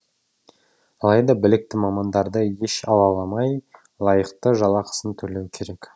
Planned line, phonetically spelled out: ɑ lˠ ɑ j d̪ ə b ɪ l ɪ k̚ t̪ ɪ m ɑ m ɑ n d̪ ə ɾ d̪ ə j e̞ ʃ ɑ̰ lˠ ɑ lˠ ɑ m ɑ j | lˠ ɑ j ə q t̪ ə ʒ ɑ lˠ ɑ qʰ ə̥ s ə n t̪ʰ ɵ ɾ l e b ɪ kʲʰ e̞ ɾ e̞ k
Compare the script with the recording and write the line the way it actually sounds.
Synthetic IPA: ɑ lˠ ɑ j d̪ ɑ b ɪ l ɪ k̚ t̪ ɪ m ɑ m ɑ n d̪ ɑ ɾ d̪ ə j e̞ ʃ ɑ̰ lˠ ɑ lˠ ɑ m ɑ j | lˠ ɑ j ə q t̪ ə ʒ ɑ lˠ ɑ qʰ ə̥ s ə n t̪ʰ ɵ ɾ l e w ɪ kʲʰ e̞ ɾ e̞ k